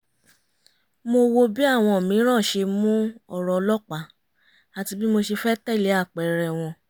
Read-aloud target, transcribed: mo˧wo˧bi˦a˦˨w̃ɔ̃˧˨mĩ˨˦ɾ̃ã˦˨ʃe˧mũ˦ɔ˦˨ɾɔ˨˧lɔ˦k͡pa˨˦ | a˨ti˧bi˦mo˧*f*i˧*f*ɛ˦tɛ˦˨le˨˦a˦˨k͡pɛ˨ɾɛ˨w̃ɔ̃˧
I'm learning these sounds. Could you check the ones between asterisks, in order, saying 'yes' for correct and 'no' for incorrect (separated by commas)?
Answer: no, yes